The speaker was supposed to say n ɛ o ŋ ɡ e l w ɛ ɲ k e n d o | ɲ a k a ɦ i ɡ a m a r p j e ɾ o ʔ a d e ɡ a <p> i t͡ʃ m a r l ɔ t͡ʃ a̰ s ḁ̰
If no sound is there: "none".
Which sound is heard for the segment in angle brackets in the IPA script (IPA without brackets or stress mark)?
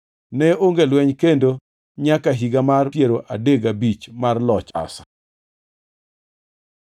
b